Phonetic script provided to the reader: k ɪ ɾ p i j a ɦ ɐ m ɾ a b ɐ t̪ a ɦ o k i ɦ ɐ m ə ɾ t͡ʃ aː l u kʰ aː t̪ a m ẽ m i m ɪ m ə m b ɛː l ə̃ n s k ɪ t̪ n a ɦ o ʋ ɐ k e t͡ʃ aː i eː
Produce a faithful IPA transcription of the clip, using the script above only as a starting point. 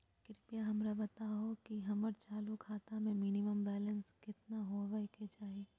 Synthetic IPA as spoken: k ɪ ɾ p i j a ɦ ɐ m ɾ a b ɐ t̪ a ɦ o k i ɦ ɐ m ə ɾ t͡ʃ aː l u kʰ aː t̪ a m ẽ m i n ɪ m ə m b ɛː l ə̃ n s k ɪ t̪ n a ɦ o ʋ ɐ k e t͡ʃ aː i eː